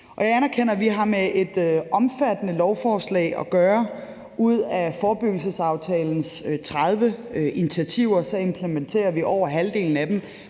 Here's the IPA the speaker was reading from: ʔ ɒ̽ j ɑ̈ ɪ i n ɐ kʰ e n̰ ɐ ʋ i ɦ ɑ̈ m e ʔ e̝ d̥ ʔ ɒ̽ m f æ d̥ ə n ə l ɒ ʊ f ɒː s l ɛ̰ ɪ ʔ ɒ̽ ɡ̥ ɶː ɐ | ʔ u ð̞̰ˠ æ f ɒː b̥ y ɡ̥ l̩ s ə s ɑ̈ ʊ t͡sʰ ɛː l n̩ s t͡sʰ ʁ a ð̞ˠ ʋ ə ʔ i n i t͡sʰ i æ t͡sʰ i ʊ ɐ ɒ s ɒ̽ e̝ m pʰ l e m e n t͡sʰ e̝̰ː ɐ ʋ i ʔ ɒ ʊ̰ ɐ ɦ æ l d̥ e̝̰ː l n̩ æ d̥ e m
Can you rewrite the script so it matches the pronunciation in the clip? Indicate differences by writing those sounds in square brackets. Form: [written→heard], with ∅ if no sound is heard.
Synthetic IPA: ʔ ɒ̽ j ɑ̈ ɪ [i→æ] n ɐ kʰ e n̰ ɐ ʋ i ɦ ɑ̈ m e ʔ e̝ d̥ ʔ ɒ̽ m f æ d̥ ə n ə l ɒ ʊ f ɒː s l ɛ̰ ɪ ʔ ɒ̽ ɡ̥ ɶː ɐ | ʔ u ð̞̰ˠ æ f ɒː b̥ y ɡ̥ l̩ s ə s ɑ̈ ʊ t͡sʰ ɛː l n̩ s t͡sʰ ʁ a ð̞ˠ ʋ ə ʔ i n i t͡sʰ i æ t͡sʰ i ʊ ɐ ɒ s ɒ̽ e̝ m pʰ l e m e n t͡sʰ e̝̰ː ɐ ʋ i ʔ ɒ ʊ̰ ɐ ɦ æ l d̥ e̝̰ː l n̩ æ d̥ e m